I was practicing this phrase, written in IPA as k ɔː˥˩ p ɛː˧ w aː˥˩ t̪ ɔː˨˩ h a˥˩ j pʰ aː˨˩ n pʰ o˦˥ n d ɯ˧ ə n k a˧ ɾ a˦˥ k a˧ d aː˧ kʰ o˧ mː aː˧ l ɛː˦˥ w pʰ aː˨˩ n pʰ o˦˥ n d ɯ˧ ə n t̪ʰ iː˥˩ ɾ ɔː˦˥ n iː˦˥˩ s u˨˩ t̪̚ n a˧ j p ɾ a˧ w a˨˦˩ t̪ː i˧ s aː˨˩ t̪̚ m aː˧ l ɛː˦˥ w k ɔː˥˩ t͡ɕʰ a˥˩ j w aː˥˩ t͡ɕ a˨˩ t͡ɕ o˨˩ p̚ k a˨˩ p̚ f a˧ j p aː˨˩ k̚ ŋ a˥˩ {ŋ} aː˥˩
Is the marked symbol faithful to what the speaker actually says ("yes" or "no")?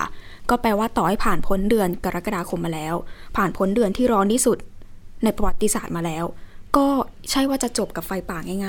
yes